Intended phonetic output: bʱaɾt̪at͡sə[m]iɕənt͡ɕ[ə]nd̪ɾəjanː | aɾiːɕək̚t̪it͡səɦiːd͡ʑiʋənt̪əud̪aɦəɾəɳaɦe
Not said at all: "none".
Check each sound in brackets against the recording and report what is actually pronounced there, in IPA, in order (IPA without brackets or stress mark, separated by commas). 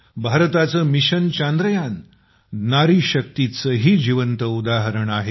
m, a